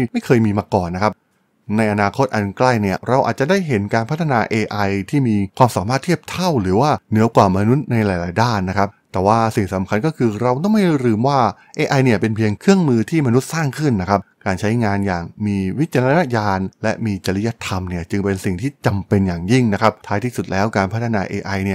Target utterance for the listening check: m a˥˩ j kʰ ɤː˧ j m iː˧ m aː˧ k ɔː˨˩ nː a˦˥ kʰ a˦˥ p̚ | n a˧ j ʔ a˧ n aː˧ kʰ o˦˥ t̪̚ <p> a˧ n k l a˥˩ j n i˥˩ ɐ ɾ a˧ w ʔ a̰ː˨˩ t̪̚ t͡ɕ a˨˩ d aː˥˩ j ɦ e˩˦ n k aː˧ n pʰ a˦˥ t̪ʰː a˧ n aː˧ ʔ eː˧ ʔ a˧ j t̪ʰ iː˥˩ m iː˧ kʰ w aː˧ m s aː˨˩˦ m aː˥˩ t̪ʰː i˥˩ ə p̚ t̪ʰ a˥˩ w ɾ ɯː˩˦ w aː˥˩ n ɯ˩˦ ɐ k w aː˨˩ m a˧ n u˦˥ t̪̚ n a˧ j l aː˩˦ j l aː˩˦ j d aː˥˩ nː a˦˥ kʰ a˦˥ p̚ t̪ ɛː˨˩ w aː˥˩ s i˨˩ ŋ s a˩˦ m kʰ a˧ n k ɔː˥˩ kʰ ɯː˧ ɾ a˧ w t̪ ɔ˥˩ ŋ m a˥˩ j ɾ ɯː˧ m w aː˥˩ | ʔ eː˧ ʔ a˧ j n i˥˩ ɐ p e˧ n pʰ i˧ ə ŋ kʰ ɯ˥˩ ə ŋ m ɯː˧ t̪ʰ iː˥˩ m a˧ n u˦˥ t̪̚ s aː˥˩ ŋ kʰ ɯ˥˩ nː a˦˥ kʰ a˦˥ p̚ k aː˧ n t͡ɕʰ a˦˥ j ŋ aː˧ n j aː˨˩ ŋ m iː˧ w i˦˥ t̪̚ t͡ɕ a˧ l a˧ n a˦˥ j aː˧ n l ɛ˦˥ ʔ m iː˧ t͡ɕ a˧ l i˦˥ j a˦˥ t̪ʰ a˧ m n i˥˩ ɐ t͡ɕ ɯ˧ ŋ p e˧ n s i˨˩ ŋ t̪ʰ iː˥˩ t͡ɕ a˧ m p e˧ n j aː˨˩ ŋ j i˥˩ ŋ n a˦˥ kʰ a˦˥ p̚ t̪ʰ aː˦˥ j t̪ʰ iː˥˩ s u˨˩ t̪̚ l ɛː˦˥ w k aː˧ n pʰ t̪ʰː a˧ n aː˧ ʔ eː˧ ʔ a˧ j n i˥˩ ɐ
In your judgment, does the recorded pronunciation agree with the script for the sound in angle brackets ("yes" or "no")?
no